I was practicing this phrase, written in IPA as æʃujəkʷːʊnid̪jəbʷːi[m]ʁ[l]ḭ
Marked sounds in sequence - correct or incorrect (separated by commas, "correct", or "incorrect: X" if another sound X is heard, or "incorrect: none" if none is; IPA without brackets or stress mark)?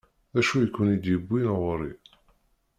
incorrect: n, incorrect: ɾ